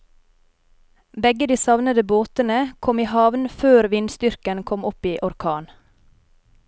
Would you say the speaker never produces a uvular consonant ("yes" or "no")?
yes